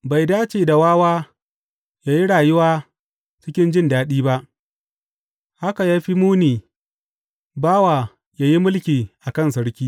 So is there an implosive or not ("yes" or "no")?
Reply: yes